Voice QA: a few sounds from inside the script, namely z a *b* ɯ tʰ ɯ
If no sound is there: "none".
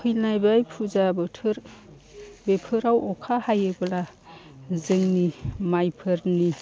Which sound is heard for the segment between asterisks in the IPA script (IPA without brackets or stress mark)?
b